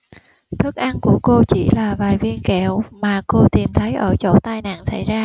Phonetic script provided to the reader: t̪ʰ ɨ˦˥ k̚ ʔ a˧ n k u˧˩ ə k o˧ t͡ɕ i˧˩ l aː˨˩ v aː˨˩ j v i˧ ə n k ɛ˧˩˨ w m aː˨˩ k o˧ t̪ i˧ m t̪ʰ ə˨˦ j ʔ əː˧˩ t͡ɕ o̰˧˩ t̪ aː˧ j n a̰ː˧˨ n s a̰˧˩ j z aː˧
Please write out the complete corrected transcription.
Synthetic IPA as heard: t̪ʰ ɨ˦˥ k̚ ʔ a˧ n k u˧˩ ə k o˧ t͡ɕ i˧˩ l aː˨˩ v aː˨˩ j v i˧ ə n k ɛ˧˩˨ w m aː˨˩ k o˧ t̪ i˨˩ m t̪ʰ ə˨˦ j ʔ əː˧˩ t͡ɕ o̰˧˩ t̪ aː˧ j n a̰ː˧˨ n s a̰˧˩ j z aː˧

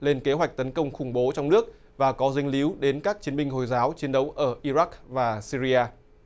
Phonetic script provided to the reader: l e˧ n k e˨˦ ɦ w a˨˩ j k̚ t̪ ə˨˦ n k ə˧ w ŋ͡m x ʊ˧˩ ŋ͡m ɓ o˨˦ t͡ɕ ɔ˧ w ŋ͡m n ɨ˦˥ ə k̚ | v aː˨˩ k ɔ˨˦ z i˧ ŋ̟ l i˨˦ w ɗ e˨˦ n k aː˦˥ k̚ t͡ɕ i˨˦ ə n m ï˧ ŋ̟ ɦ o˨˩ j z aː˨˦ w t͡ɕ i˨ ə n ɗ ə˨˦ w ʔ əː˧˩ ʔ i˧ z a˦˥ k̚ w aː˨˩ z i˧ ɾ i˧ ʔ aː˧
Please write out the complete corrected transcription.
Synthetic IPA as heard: l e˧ n k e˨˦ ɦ w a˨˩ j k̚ t̪ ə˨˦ n k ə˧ w ŋ͡m x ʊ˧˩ ŋ͡m ɓ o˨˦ t͡ɕ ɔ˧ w ŋ͡m n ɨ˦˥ ə k̚ | v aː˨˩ k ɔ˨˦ z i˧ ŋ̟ l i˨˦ w ɗ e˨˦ n k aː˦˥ k̚ t͡ɕ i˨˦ ə n m ï˧ ŋ̟ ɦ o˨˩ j z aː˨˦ w t͡ɕ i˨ ə n ɗ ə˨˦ w ʔ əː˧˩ ʔ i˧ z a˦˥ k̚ v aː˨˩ s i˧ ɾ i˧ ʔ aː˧

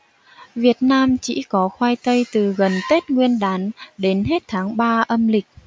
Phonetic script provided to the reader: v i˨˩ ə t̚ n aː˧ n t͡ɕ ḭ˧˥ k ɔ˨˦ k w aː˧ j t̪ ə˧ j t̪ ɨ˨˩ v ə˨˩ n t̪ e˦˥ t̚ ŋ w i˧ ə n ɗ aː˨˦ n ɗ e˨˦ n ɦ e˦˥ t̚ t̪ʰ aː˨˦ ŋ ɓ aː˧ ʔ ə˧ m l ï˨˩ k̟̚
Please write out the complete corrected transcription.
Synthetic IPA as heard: v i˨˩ ə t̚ n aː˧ m t͡ɕ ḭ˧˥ k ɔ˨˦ x w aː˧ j t̪ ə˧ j t̪ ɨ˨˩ ɣ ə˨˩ n t̪ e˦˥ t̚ ŋ w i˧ ə n ɗ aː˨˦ n ɗ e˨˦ n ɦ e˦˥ t̚ t̪ʰ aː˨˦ ŋ ɓ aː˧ ʔ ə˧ m l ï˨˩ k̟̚

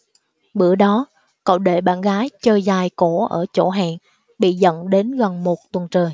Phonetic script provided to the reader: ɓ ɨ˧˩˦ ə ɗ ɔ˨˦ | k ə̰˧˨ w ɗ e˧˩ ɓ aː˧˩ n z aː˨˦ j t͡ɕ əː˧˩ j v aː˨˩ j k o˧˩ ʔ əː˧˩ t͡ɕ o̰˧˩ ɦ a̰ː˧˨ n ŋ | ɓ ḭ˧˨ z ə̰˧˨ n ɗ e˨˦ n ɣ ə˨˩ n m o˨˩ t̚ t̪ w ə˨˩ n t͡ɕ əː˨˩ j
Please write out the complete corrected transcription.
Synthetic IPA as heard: ɓ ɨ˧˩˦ ə ɗ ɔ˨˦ | k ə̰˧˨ w ɗ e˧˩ ɓ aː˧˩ n ɣ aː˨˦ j t͡ɕ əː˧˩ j z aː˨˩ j k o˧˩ ʔ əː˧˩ t͡ɕ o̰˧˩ ɦ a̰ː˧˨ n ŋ | ɓ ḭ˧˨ z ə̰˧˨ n ɗ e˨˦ n ɣ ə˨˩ n m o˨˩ t̚ t̪ w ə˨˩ n t͡ɕ əː˨˩ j

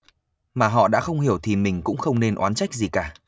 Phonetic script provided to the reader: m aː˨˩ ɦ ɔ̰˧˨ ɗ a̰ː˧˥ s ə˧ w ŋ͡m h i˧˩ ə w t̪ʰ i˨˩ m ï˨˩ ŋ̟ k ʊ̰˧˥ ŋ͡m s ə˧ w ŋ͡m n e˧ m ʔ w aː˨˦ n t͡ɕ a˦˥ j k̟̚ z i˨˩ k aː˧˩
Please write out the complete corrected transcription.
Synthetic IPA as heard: m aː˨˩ ɦ ɔ̰˧˨ ɗ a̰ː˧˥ x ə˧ w ŋ͡m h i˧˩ ə w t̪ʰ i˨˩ m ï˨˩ ŋ̟ k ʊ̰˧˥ ŋ͡m x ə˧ w ŋ͡m n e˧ n ʔ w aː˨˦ n t͡ɕ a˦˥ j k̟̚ z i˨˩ k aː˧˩

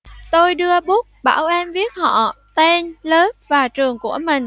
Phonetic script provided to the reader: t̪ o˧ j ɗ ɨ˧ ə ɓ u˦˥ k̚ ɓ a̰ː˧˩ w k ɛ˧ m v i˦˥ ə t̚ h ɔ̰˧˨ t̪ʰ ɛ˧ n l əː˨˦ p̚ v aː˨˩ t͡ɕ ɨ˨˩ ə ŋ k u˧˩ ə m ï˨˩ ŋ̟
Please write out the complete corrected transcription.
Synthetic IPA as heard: t̪ o˧ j ɗ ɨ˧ ə ɓ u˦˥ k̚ ɓ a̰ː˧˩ w ʔ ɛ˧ m v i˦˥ ə t̚ h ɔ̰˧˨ t̪ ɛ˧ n l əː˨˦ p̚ v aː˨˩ t͡ɕ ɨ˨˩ ə ŋ k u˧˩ ə m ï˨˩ ŋ̟

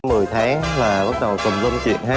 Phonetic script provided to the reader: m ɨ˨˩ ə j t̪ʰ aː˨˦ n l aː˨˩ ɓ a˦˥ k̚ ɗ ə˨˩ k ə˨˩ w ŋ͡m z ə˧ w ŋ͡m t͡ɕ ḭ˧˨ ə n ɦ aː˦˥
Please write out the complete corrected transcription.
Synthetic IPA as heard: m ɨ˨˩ ə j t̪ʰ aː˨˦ ŋ l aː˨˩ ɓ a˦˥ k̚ ɗ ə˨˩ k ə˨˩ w ŋ͡m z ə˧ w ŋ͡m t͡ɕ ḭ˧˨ ə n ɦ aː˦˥

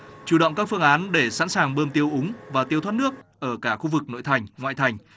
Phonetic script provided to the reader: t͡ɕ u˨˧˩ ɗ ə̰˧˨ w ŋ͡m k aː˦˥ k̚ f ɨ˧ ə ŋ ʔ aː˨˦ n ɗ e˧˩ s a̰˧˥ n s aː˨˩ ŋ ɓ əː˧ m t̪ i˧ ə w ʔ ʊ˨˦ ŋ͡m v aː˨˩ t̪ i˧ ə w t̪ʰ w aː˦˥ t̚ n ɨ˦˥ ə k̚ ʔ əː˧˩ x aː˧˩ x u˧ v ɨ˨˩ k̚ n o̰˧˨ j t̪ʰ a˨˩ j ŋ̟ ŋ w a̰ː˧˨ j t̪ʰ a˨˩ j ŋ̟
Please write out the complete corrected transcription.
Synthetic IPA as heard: t͡ɕ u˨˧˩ ɗ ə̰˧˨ w ŋ͡m k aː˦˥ k̚ f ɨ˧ ə ŋ ʔ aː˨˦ n ɗ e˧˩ s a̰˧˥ n s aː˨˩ ŋ ɓ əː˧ m t̪ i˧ ə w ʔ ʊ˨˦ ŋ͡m v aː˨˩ t̪ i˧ ə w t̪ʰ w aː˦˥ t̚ n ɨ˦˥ ə k̚ ʔ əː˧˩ k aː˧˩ x u˧ v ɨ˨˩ k̚ n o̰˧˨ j t̪ʰ a˨˩ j ŋ̟ ŋ w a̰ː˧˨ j t̪ʰ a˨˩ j ŋ̟

